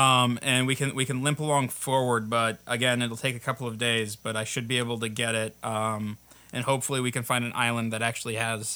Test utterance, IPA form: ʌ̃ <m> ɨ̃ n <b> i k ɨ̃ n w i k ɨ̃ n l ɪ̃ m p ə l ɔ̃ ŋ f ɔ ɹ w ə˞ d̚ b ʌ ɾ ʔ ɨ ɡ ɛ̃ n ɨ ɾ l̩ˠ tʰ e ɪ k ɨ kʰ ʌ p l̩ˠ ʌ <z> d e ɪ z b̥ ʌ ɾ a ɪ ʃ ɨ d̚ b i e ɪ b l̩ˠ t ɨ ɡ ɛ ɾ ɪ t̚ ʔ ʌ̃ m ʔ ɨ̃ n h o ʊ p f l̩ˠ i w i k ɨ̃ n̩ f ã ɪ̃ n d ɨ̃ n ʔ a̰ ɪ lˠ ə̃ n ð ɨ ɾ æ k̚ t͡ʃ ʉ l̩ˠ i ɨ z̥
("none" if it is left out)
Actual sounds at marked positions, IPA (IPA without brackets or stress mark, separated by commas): m, w, v